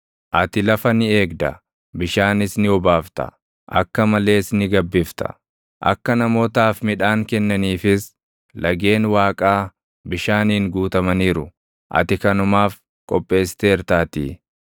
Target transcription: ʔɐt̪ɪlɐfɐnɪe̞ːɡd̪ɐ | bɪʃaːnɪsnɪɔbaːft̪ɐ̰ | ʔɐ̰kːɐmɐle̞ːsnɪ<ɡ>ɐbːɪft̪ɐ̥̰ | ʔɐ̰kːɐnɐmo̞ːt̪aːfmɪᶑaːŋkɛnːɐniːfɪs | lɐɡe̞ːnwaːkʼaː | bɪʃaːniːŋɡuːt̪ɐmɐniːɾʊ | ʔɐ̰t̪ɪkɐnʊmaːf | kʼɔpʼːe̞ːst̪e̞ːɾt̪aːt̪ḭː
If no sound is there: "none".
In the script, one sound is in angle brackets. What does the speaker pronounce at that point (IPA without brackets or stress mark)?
ɡ